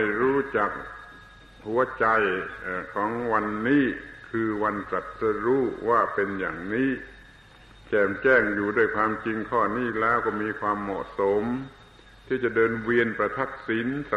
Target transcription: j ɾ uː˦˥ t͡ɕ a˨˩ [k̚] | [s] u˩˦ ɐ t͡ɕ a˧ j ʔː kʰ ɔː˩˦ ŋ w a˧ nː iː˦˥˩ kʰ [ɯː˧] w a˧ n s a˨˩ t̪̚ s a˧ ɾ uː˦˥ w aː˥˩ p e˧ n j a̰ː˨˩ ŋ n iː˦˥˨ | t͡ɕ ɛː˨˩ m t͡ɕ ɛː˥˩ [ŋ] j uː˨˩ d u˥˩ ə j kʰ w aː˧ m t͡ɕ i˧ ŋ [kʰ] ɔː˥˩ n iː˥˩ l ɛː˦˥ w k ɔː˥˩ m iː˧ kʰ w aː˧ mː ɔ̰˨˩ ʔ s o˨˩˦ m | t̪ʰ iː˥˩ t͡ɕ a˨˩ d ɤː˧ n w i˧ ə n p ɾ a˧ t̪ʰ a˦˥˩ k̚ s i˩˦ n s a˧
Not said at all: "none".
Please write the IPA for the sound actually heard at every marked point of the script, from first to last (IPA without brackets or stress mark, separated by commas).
k̚, h, ɯː˧, ŋ, kʰ